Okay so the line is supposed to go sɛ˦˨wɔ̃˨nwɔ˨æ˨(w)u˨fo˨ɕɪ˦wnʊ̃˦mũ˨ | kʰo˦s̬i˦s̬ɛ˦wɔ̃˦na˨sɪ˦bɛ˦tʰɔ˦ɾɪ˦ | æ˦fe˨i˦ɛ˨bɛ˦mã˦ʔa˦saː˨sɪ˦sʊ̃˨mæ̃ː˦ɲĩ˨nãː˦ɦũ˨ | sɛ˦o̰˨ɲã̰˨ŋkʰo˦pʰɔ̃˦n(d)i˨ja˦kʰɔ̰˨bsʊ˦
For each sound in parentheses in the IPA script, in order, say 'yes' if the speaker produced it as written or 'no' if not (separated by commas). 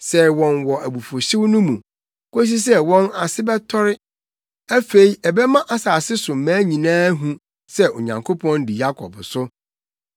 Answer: no, yes